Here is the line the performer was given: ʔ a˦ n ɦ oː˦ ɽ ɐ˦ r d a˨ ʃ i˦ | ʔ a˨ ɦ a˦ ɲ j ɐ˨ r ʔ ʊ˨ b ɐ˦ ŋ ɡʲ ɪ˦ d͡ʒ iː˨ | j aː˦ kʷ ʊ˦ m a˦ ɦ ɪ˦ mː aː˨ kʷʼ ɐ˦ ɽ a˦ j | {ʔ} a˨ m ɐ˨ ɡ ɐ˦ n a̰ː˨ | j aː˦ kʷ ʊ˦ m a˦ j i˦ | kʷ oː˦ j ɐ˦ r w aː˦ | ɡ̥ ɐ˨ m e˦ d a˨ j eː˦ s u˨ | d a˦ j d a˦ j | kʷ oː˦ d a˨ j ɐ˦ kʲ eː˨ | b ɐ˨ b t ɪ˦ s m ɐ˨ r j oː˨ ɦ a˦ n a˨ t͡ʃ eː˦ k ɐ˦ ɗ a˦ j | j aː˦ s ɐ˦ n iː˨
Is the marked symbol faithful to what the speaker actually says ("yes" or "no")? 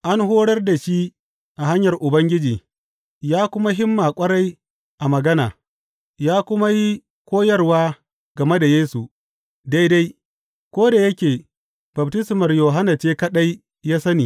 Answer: yes